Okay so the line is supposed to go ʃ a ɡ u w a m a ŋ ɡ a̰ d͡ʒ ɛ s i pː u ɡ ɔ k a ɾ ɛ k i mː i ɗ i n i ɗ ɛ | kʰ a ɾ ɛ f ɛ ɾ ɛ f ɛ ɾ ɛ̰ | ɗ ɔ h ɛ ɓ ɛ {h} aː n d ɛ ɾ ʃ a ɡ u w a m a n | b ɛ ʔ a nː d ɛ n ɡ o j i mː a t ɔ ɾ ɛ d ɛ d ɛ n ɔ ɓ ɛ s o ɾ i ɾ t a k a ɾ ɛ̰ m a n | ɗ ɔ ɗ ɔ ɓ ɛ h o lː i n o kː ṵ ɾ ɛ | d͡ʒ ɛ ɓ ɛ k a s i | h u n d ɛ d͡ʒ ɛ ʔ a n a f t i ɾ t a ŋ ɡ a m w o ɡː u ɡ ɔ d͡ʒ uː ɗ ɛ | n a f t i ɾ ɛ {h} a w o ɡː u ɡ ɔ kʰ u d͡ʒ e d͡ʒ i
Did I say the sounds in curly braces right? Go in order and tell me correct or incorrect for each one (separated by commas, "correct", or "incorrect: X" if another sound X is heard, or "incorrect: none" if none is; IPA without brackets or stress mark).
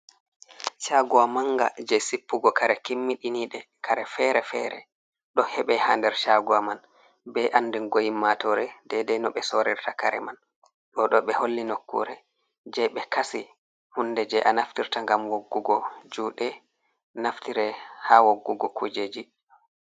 correct, correct